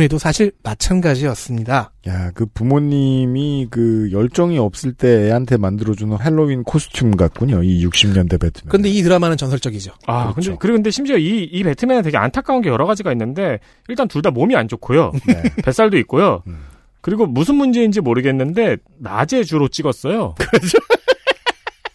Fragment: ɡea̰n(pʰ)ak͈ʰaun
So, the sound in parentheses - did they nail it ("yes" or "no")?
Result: no